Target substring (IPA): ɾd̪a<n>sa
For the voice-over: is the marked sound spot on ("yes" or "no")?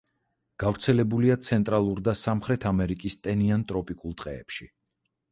no